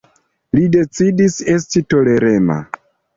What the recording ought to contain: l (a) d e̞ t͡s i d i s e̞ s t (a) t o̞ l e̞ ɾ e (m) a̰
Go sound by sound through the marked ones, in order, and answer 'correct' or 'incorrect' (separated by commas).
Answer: incorrect, incorrect, correct